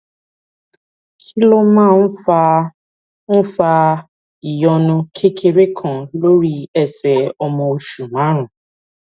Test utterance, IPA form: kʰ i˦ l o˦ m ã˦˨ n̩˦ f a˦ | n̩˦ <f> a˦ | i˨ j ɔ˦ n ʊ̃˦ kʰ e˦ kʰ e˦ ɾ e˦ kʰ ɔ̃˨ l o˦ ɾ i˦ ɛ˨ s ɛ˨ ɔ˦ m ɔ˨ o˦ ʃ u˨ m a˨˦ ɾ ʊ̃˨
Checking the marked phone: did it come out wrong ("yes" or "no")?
no